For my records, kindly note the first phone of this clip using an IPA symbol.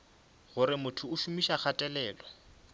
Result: ɣ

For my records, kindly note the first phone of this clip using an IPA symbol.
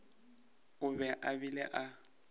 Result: ʊ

